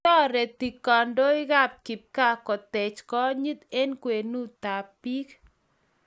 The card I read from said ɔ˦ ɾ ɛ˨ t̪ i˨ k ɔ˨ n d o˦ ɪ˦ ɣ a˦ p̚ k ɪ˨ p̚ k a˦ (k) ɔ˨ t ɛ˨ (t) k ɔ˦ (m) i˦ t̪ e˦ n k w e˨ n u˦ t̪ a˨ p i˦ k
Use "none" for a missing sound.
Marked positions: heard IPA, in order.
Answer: k, t͡ʃ, ɲ

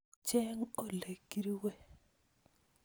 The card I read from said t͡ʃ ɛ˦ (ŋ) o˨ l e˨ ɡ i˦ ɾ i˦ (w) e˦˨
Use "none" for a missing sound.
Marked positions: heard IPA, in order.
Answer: ŋ, w

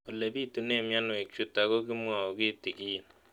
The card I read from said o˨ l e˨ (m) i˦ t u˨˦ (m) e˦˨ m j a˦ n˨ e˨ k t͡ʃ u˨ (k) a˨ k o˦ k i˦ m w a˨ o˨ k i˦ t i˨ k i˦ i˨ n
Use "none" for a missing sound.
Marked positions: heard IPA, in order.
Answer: b, n, t

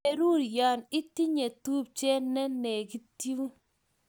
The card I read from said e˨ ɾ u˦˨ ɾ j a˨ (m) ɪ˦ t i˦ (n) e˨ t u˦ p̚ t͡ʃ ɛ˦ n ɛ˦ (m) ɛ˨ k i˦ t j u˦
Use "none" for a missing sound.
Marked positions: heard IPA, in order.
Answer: n, ɲ, n

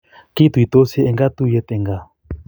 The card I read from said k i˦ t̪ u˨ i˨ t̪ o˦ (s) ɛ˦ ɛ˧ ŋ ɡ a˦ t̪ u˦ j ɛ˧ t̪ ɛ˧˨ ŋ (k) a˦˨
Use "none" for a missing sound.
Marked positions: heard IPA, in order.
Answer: s, ɡ

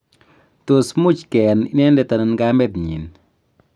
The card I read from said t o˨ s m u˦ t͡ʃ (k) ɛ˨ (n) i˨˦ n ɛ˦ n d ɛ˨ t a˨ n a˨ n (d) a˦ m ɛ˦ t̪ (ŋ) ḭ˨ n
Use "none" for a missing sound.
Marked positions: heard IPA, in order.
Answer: k, n, ɡ, ɲ

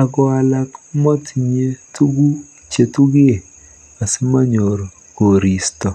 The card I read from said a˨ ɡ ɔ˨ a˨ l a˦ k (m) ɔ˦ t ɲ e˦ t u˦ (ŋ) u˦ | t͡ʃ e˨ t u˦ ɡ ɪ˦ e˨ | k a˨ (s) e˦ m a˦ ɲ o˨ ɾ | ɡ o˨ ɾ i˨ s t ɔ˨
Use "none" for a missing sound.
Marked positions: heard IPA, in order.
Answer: m, ɡ, s

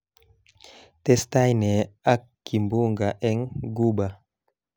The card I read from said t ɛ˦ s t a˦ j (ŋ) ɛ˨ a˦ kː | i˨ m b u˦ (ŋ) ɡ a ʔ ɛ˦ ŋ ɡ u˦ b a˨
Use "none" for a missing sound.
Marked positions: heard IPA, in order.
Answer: n, ŋ

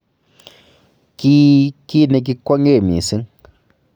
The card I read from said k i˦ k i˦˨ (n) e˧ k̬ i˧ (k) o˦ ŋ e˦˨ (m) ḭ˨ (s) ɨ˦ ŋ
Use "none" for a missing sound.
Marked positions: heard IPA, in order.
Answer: n, k, m, s

